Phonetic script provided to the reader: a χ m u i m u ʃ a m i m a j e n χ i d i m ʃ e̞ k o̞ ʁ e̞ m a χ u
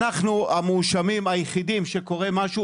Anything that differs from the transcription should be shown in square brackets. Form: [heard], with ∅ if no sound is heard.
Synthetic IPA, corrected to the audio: a χ [n] u [a] m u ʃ a m i m a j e [∅] χ i d i m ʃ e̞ k o̞ ʁ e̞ m a [ʃ] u